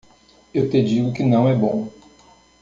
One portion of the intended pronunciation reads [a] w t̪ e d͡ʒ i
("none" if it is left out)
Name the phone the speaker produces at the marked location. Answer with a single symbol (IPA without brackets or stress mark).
e